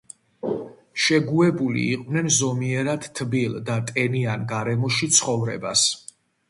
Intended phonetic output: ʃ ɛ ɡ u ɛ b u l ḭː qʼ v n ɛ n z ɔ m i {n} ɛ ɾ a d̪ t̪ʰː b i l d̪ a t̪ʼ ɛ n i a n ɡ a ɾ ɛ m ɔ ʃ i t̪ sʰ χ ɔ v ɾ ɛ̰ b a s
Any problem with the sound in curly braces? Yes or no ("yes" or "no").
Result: yes